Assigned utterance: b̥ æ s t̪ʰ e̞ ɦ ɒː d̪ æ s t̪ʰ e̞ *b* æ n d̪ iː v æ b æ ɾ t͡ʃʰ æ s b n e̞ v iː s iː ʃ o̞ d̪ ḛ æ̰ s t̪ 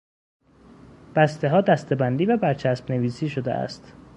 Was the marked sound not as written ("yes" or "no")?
no